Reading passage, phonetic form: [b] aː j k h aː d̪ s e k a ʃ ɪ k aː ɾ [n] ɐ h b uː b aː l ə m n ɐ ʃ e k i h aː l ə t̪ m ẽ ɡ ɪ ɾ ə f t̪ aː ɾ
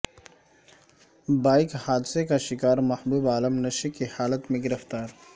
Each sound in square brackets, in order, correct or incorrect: correct, incorrect

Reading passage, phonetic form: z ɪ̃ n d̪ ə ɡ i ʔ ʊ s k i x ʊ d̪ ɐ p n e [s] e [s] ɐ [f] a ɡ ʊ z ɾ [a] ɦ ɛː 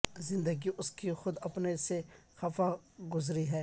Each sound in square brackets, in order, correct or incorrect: correct, incorrect, correct, incorrect

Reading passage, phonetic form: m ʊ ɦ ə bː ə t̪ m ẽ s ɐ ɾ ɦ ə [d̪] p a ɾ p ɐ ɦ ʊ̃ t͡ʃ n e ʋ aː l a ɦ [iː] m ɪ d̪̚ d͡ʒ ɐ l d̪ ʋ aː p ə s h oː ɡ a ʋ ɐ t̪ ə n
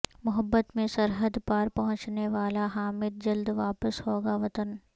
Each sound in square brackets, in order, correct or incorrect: correct, incorrect

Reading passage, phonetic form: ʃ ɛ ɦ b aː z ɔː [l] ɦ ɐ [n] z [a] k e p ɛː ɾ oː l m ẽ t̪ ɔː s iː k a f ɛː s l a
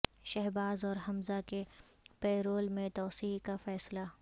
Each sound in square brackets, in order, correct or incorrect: incorrect, incorrect, correct

